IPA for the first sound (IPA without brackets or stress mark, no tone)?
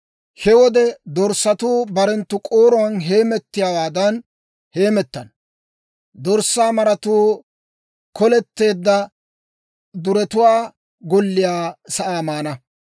h